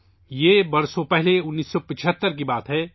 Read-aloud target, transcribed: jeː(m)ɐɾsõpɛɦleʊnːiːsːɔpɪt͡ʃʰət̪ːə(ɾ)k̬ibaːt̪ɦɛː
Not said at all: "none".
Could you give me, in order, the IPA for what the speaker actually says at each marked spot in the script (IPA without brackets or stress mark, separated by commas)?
b, ɾ